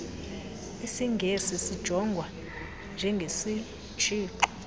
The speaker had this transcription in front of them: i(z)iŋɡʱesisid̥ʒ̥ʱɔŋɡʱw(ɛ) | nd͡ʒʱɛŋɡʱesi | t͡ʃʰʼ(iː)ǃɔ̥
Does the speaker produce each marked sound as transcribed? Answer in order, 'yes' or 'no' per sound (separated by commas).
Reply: no, no, yes